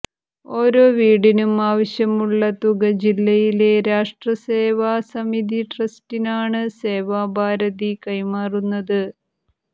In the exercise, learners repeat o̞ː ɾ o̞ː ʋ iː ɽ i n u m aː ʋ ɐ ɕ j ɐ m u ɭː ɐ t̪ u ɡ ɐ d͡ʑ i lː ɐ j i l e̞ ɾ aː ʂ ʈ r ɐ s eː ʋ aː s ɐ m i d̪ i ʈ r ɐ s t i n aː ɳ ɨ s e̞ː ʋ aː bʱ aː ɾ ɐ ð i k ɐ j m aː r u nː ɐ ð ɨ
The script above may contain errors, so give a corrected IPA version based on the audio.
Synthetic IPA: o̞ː ɾ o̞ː ʋ iː ɽ i n u m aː ʋ ɐ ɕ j ɐ m u ɭː ɐ t̪ u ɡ ɐ d͡ʑ i lː ɐ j i l e̞ ɾ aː ʂ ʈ r ɐ s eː ʋ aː s ɐ m i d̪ i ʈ r ɐ s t i n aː ɳ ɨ s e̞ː ʋ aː bʱ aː ɾ ɐ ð i k ɐ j m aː r u nː ɐ ð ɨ

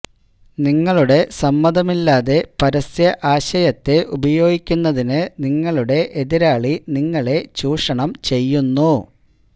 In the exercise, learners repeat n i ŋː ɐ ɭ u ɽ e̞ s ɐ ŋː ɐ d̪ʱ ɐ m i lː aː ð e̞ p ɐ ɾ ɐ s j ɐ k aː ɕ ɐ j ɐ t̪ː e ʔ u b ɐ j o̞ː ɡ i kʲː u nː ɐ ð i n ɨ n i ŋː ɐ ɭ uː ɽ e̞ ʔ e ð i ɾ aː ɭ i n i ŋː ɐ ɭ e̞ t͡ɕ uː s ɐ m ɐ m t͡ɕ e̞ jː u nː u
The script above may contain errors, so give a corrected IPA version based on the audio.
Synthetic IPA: n i ŋː ɐ ɭ u ɽ e̞ s ɐ mː ɐ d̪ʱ ɐ m i lː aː ð e̞ p ɐ ɾ ɐ s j ɐ ʔ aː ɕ ɐ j ɐ t̪ː e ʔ u b ɐ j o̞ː ɡ i kʲː u nː ɐ ð i n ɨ n i ŋː ɐ ɭ u ɽ e̞ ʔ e ð i ɾ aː ɭ i n i ŋː ɐ ɭ e̞ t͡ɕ uː ʂ ɐ ɳ ɐ m t͡ɕ e̞ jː u nː u

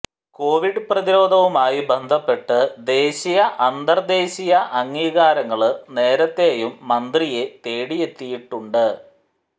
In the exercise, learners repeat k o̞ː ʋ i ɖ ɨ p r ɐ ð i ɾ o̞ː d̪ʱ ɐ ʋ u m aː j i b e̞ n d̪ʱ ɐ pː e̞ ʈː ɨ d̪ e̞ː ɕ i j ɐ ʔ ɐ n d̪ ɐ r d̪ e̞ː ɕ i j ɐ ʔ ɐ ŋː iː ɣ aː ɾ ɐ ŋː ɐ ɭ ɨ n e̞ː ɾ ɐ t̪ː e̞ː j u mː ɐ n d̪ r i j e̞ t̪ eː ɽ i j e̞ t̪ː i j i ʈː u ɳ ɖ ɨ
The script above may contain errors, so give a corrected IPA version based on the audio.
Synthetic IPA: k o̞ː ʋ i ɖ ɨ p r ɐ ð i ɾ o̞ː d̪ʱ ɐ ʋ u m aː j i b e̞ n d̪ʱ ɐ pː e̞ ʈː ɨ d̪ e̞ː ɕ i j ɐ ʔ ɐ n d̪ ɐ r d̪ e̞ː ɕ i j ɐ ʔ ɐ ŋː iː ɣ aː ɾ ɐ ŋː ɐ ɭ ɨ n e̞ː ɾ ɐ t̪ː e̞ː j u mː ɐ n d̪ r i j e̞ t̪ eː ɽ i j e̞ t̪ː i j i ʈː u ɳ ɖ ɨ

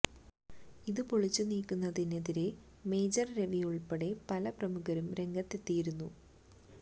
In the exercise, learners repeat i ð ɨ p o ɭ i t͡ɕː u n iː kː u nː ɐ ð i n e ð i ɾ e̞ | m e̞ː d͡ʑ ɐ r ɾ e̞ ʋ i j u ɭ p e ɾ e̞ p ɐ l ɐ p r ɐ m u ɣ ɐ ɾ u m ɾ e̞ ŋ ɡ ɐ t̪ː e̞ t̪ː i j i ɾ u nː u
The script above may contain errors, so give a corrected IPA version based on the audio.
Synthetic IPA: i ð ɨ p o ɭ i t͡ɕː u n iː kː u nː ɐ ð i n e ð i ɾ e̞ | m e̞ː d͡ʑ ɐ r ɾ e̞ ʋ i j u ɭ p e ɽ e̞ p ɐ l ɐ p r ɐ m u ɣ ɐ ɾ u m ɾ e̞ ŋ ɡ ɐ t̪ː e̞ t̪ː i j i ɾ u nː u

